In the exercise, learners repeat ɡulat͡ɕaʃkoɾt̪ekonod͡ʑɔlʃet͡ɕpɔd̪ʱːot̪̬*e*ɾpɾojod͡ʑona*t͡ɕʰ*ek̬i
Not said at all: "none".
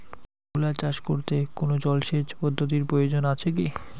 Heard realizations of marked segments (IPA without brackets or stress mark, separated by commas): i, t͡ɕʰ